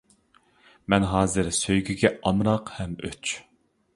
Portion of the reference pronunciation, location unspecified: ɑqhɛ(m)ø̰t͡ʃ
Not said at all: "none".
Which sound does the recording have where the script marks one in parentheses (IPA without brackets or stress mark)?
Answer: m